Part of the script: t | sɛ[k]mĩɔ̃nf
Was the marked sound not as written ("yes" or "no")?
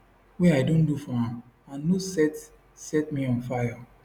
yes